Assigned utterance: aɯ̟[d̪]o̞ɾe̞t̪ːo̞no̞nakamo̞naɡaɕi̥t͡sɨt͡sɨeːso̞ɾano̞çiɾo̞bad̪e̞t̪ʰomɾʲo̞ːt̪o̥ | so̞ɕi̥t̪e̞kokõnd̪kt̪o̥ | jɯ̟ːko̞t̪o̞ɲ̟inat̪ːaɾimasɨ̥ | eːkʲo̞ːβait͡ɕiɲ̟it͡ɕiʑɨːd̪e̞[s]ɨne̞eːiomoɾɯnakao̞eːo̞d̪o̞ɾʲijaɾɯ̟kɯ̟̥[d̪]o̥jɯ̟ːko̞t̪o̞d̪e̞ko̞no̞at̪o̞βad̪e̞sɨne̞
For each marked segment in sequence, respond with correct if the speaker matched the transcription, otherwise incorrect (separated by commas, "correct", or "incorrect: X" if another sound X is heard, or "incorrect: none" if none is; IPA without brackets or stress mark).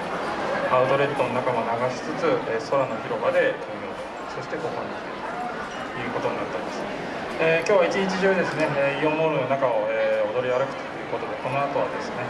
incorrect: t̪, correct, incorrect: t̪